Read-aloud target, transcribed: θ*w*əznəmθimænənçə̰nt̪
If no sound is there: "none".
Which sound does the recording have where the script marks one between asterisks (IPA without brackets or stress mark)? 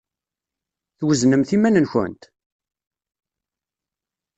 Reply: w